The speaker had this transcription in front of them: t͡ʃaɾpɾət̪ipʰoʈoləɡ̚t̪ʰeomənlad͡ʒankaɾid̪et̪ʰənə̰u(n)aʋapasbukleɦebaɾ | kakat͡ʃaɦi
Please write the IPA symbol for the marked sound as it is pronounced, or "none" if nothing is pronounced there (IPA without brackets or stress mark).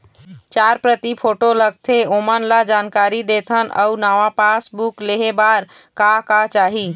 n